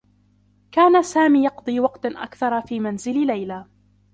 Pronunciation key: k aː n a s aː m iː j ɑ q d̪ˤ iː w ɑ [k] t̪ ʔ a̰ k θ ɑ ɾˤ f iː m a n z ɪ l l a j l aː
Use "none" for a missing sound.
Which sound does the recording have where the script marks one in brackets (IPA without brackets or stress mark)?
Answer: q